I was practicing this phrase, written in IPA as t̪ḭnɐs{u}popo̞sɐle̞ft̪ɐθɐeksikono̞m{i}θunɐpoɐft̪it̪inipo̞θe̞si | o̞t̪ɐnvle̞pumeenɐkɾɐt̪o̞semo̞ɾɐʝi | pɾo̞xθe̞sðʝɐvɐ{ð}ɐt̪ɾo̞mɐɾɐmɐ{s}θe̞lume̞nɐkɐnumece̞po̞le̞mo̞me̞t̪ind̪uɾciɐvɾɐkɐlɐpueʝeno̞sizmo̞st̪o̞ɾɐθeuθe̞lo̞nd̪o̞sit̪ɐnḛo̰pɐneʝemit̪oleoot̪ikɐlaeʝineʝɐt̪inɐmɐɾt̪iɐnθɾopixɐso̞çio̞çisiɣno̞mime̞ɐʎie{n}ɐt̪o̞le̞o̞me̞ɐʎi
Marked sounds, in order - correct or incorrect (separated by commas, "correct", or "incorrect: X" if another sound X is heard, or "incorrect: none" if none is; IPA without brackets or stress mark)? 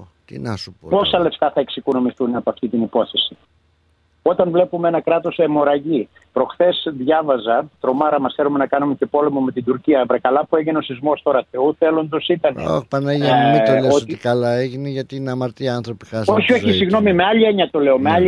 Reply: correct, correct, incorrect: z, correct, incorrect: ɲ